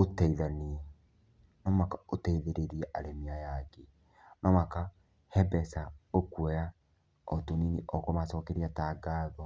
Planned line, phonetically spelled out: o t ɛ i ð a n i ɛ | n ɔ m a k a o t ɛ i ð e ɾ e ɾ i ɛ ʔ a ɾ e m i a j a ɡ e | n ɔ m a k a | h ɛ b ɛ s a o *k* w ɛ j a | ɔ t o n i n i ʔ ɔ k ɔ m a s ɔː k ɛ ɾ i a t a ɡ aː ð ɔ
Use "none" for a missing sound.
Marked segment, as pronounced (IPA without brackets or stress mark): k